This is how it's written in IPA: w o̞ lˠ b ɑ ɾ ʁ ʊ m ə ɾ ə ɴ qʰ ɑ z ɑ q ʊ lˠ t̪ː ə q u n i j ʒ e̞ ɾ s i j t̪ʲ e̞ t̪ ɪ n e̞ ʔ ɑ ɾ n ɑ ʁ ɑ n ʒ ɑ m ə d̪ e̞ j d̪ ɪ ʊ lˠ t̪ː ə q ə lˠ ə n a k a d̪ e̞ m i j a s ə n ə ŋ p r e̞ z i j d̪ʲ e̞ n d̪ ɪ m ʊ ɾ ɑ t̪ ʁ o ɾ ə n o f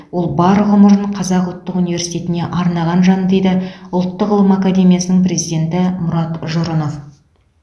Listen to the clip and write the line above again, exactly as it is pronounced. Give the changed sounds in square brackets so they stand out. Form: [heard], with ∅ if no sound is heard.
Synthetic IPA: w o̞ lˠ b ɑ ɾ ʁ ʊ m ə ɾ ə ɴ qʰ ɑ z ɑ q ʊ lˠ t̪ː ə q u n i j [v] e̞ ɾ s i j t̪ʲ e̞ t̪ ɪ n e̞ ʔ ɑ ɾ n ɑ ʁ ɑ n ʒ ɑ [n] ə d̪ e̞ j d̪ ɪ ʊ lˠ t̪ː ə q ə lˠ ə [m] a k a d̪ e̞ m i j a s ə n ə ŋ p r e̞ z i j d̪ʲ e̞ n [t̪] ɪ m ʊ ɾ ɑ t̪ [ʒ] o ɾ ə n o f